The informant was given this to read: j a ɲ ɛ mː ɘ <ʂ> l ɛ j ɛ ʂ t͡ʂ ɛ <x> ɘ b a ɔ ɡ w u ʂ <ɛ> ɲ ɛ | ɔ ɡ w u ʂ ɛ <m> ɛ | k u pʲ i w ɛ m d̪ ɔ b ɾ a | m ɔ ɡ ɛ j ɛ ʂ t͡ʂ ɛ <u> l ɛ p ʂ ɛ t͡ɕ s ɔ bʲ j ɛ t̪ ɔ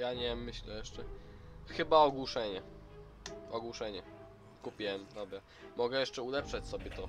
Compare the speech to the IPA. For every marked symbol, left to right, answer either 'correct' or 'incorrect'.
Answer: incorrect: ɕ, correct, correct, incorrect: ɲ, correct

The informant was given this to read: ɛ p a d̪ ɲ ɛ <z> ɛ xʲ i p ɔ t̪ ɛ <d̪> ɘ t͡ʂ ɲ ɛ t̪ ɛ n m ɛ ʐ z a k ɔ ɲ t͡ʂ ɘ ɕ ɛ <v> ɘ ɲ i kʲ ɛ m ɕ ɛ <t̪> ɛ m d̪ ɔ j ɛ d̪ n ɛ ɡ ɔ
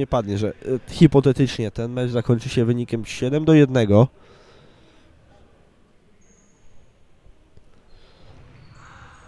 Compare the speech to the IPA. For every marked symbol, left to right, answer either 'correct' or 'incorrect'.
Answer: incorrect: ʐ, incorrect: t̪, correct, incorrect: d̪

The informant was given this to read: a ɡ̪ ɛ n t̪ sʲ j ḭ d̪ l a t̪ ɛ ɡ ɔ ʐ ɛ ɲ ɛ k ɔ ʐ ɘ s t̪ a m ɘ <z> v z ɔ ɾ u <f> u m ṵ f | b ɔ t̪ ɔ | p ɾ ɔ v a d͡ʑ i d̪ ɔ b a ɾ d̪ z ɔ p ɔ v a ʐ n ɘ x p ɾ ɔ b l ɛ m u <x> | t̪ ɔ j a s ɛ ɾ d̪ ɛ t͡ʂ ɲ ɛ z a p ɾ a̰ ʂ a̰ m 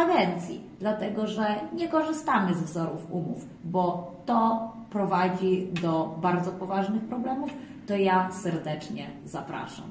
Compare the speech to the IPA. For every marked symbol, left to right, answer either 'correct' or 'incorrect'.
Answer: correct, correct, incorrect: f

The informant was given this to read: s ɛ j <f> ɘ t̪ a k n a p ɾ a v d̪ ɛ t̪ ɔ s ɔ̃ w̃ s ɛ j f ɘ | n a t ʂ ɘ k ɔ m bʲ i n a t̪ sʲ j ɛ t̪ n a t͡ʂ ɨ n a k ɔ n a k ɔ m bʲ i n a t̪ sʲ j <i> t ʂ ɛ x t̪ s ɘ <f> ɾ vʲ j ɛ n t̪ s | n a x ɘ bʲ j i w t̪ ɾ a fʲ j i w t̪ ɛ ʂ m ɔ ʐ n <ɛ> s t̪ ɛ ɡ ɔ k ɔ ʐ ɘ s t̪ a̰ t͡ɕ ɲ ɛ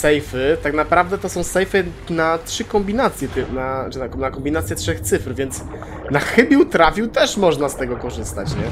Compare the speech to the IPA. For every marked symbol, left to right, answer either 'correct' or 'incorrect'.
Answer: correct, incorrect: ɛ, correct, incorrect: a

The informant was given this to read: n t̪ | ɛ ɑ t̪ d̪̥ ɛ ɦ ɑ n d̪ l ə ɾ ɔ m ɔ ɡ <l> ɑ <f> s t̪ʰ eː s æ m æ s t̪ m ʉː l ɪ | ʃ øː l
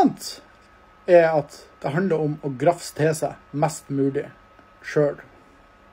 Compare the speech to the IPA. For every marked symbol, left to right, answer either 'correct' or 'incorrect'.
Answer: incorrect: ɾ, correct

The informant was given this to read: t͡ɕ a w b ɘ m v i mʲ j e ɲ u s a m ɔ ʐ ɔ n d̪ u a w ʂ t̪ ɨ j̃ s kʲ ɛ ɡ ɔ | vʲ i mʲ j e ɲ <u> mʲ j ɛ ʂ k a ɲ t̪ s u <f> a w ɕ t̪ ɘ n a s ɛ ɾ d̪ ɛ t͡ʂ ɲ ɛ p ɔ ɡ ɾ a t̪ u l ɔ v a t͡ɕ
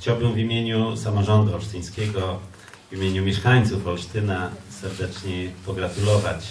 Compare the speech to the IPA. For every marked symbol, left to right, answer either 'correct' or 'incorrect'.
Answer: correct, correct

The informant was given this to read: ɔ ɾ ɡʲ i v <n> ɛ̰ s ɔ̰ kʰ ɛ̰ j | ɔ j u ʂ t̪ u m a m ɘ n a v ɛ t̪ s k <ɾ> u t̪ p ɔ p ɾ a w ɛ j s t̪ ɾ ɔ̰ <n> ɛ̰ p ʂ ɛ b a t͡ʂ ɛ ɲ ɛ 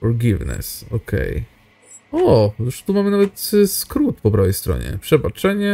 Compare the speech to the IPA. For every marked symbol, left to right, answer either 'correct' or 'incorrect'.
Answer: correct, correct, incorrect: ɲ

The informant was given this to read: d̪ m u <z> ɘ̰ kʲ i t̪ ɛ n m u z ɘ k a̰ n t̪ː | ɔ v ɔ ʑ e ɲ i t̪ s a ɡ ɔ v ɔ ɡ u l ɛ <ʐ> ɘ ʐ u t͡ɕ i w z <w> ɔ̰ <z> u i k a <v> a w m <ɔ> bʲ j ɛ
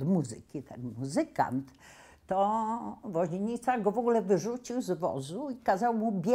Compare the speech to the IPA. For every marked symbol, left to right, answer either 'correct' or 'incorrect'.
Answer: correct, incorrect: v, incorrect: v, correct, incorrect: z, incorrect: u

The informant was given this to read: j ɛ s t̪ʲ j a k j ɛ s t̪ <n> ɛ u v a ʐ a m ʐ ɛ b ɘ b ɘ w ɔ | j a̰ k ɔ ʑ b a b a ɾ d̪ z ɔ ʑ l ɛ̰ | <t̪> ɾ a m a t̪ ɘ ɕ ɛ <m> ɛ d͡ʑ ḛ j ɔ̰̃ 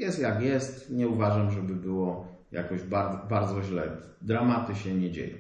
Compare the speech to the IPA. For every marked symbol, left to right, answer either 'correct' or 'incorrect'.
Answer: incorrect: ɲ, incorrect: d̪, incorrect: ɲ

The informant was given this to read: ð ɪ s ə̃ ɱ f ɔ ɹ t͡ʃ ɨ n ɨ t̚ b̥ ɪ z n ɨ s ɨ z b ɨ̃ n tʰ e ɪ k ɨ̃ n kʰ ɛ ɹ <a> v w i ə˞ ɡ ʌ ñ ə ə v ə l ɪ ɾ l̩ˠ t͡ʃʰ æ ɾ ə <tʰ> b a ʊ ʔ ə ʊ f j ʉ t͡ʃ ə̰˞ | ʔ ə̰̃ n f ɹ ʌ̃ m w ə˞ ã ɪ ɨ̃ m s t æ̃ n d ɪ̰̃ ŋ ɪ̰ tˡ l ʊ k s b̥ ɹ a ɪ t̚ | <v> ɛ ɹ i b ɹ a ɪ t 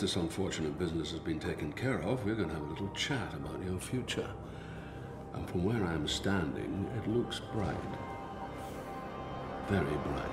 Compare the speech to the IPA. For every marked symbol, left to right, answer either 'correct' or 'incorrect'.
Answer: incorrect: ʌ, incorrect: none, correct

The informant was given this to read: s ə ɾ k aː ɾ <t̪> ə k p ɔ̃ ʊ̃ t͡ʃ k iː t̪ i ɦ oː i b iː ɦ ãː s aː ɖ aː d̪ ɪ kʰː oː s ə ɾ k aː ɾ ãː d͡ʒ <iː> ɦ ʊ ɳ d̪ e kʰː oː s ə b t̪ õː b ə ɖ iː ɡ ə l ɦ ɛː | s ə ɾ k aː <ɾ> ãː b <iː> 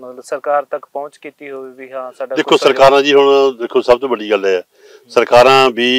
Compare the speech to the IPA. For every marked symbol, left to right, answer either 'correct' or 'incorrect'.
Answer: correct, correct, correct, correct

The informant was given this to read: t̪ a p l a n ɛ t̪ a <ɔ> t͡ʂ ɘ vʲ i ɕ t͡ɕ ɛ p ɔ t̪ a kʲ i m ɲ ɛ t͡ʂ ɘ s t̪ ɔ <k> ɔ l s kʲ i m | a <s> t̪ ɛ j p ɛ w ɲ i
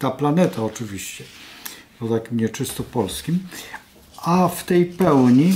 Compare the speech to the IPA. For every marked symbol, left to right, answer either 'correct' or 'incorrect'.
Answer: correct, incorrect: p, incorrect: f

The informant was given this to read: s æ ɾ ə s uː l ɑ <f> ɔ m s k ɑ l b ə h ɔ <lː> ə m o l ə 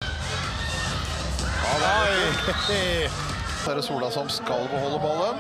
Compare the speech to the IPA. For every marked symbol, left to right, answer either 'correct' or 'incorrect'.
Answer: incorrect: s, correct

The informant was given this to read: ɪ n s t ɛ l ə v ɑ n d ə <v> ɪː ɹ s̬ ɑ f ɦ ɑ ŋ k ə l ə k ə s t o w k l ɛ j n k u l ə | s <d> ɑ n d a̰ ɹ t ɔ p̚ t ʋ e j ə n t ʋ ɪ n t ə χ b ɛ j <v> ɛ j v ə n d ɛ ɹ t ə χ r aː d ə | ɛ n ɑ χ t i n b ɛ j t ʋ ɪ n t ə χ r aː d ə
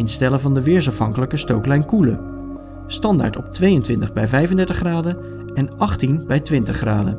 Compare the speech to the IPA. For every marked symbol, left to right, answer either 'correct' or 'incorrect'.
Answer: incorrect: ʋ, incorrect: t, correct

